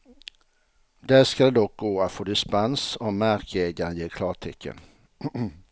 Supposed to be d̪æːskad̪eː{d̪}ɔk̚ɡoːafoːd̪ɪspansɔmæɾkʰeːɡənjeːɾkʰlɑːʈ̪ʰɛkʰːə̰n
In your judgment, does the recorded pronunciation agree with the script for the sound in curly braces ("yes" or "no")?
yes